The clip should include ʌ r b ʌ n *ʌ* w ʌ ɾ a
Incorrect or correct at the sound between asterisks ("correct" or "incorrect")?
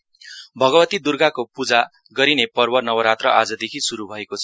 correct